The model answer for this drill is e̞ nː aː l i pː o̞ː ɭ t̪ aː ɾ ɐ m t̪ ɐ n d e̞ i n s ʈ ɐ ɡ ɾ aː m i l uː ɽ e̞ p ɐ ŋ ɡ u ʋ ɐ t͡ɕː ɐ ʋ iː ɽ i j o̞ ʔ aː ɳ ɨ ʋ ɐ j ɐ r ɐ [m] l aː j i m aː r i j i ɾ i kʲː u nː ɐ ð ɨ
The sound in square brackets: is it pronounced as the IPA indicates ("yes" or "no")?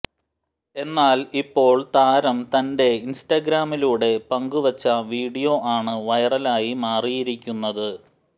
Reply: no